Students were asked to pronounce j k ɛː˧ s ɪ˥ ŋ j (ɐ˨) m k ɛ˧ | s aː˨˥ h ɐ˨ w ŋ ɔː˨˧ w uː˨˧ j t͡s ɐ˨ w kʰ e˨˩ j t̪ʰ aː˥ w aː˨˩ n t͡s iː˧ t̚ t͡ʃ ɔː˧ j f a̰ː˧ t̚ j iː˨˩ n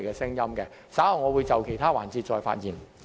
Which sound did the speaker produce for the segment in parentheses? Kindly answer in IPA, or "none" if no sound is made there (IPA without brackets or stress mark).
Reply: ɐ˥